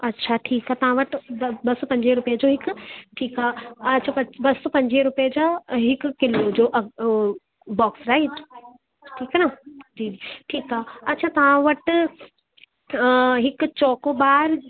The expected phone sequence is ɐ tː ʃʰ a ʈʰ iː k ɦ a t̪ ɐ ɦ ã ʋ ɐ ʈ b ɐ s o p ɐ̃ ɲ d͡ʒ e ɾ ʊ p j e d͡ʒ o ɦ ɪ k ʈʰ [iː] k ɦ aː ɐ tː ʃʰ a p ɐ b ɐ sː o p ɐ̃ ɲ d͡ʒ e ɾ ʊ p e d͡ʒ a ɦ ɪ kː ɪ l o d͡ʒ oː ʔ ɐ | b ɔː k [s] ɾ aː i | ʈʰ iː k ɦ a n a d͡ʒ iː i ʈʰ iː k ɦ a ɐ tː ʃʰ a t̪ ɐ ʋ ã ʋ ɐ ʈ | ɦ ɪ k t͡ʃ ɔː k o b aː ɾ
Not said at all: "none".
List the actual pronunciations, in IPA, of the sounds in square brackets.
iː, s

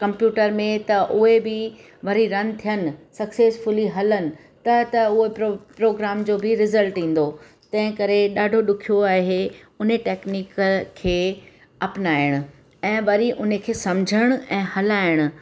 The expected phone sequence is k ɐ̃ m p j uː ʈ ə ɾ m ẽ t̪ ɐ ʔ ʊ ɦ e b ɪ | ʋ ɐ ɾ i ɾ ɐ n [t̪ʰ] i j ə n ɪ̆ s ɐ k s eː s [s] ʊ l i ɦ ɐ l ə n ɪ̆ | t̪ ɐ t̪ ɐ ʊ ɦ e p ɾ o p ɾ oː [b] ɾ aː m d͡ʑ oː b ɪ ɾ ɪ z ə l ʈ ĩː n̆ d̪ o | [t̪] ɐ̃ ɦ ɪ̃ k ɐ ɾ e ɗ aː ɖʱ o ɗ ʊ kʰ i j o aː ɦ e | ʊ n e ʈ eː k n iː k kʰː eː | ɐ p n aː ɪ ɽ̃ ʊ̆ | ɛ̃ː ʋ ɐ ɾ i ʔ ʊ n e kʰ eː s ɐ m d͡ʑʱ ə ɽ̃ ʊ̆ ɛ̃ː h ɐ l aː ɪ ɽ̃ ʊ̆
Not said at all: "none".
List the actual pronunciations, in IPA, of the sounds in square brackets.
t̪ʰ, f, ɡ, t̪

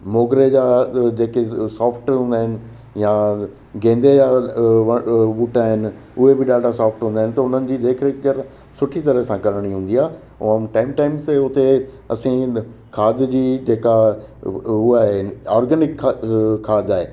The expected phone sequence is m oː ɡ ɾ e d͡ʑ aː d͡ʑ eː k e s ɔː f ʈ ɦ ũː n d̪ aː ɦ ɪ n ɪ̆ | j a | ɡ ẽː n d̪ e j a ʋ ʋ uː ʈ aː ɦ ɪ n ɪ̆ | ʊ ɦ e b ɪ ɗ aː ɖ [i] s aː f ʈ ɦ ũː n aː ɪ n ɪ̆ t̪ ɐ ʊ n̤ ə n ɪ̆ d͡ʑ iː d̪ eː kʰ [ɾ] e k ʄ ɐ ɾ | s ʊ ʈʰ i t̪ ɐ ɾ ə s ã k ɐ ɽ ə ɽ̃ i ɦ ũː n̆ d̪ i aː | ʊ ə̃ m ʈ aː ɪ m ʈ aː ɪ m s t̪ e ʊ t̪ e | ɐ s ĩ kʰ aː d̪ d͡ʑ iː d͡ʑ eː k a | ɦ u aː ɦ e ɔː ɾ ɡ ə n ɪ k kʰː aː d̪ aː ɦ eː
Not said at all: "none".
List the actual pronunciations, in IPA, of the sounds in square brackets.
a, ɾ

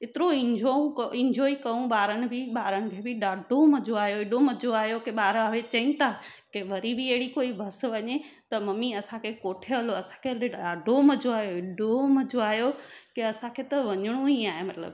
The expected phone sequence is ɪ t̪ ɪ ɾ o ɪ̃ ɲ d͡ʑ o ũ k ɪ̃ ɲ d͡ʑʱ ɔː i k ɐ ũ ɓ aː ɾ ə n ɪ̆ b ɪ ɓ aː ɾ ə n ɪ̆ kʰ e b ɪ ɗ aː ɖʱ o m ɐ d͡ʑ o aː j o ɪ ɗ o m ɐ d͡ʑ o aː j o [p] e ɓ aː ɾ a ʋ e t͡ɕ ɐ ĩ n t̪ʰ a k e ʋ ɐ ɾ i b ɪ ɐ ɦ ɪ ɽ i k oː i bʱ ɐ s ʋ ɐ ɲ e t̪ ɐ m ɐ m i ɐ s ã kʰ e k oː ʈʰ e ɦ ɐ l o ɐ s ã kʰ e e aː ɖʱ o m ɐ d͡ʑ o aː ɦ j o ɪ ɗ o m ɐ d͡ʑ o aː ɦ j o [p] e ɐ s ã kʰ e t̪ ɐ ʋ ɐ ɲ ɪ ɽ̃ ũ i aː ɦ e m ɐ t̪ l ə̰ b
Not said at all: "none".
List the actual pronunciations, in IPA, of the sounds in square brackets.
k, k

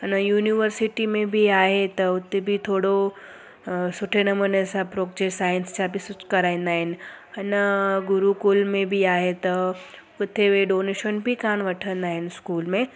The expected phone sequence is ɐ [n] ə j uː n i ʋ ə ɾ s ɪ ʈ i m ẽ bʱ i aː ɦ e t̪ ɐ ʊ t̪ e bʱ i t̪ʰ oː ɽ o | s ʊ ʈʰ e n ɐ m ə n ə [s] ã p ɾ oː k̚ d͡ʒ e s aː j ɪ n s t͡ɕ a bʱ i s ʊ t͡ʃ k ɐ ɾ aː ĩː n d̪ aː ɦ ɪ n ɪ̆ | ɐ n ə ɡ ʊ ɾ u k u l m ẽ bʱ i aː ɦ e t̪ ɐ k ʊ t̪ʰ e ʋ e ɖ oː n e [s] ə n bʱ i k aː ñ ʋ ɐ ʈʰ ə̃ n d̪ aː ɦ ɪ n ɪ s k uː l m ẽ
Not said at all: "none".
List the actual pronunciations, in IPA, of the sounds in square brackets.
n, s, ʃ

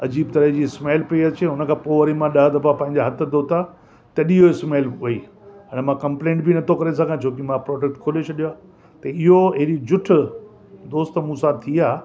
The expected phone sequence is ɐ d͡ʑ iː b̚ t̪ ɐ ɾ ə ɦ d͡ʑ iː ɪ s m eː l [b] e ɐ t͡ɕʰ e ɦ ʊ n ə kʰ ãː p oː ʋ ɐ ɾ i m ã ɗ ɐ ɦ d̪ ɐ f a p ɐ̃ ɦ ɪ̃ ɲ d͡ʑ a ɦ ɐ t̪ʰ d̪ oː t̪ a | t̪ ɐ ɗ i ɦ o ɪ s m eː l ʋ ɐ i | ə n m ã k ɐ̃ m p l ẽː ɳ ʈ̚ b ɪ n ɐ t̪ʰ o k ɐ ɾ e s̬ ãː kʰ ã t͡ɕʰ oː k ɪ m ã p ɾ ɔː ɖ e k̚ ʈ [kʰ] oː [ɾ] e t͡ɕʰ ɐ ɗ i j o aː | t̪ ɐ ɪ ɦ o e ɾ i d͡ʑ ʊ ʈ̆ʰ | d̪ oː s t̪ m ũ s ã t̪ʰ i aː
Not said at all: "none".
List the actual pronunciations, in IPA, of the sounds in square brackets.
p, kʰ, l

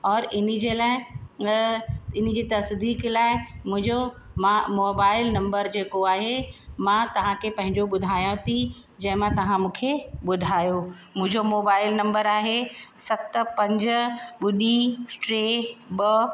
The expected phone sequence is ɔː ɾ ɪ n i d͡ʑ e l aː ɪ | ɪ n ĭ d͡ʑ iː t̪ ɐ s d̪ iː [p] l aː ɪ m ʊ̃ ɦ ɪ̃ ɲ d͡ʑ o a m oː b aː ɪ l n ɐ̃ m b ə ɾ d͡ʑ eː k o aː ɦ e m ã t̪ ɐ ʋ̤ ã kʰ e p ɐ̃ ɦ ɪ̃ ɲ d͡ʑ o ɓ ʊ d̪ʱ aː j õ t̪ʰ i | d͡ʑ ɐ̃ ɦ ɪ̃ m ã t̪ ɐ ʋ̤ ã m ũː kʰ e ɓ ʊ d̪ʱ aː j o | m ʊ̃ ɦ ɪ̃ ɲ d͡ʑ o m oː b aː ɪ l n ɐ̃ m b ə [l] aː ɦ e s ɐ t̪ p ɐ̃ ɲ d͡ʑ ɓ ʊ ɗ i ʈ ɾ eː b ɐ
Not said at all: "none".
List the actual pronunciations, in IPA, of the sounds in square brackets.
k, ɾ

